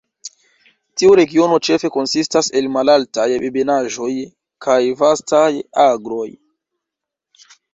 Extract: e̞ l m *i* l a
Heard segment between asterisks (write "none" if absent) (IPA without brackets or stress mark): a